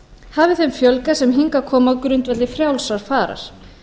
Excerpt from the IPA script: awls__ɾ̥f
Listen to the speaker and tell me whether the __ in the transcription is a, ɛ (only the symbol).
a